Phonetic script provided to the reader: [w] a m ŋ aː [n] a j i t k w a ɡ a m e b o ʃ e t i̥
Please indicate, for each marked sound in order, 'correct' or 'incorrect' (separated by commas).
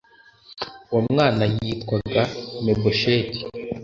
correct, correct